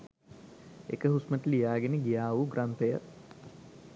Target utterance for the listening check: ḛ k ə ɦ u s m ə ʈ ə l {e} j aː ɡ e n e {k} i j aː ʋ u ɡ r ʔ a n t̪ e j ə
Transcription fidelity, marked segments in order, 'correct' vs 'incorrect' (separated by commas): incorrect, incorrect